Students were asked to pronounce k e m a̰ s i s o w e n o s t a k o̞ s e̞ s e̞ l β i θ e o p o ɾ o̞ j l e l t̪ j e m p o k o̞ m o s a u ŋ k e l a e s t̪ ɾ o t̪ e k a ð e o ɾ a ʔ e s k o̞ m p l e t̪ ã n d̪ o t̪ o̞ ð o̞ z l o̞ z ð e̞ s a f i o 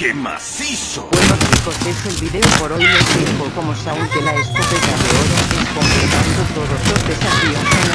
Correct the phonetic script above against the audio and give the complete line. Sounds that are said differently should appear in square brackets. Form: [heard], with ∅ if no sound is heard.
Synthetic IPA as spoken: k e m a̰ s i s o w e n o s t [i] k o̞ s e̞ s e̞ l β i [ð] e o p o ɾ o̞ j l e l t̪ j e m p o k o̞ m o s a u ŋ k e l a e s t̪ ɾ o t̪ e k a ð e o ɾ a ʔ e s k o̞ m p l e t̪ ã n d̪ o t̪ o̞ ð o̞ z l o̞ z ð e̞ s a f i o